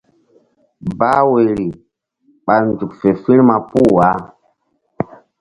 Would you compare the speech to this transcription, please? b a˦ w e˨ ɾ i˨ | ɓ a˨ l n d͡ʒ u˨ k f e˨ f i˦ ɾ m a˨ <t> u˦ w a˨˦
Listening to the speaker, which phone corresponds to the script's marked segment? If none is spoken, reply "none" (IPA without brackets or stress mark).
p